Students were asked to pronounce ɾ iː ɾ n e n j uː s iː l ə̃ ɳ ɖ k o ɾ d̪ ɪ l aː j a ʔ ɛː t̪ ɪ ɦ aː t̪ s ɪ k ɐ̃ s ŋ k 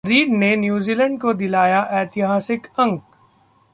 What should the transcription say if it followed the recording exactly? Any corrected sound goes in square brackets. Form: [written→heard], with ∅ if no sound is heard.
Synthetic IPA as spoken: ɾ iː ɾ n e n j uː [s→z] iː l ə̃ ɳ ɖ k o [ɾ→∅] d̪ ɪ l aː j a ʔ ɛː t̪ ɪ ɦ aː [t̪→∅] s ɪ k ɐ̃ [s→∅] ŋ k